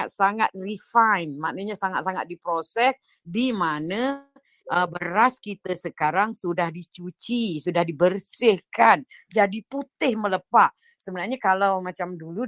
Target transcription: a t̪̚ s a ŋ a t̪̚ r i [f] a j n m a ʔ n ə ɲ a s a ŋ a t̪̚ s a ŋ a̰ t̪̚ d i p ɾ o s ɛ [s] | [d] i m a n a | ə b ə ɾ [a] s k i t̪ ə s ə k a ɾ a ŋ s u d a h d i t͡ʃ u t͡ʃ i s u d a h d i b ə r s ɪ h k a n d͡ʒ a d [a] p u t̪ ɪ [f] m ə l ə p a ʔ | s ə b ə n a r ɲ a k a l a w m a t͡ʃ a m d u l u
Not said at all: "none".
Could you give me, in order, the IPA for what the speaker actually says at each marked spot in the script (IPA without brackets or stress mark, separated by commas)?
f, s, d, a, i, h